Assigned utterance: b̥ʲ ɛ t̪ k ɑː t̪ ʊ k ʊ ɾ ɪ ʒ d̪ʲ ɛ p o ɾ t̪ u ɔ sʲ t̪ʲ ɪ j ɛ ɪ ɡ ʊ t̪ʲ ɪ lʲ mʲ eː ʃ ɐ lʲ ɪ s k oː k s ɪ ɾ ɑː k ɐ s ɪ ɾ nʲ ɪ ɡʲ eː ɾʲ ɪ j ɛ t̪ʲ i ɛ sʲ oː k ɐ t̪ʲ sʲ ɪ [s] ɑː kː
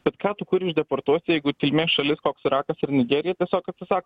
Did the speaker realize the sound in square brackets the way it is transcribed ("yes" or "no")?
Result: yes